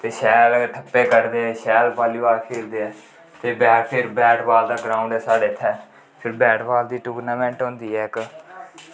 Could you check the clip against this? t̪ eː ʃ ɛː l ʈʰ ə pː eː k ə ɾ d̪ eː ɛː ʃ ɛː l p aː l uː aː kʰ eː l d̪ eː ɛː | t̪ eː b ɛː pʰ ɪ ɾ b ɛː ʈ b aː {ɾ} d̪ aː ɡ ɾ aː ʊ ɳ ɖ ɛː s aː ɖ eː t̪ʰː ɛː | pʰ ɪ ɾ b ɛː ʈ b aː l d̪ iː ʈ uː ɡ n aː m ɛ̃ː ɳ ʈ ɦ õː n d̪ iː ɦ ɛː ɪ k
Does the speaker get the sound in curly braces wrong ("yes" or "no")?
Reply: yes